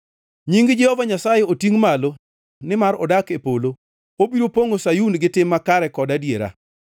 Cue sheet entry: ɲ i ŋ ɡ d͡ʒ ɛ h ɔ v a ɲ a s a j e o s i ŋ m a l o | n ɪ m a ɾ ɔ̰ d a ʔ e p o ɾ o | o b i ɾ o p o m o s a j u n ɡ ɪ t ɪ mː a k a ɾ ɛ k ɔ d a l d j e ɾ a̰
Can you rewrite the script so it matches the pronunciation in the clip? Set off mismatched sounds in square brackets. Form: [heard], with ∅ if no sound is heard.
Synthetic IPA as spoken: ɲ i ŋ ɡ d͡ʒ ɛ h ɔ v a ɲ a s a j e o [t] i ŋ m a l o | n ɪ m a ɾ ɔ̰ d a [k] e p o [l] o | o b i ɾ o p o [ŋ] o s a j u n ɡ ɪ t ɪ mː a k a ɾ ɛ k ɔ d a [∅] d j e ɾ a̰